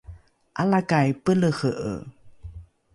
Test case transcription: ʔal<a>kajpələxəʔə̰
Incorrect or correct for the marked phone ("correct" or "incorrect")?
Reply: correct